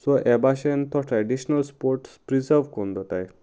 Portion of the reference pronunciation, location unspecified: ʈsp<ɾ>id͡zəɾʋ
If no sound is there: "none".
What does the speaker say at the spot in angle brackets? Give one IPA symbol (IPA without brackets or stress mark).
ɾ